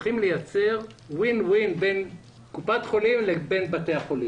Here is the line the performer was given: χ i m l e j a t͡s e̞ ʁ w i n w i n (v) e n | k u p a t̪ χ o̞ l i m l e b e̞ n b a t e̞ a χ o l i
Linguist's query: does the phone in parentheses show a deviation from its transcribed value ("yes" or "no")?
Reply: yes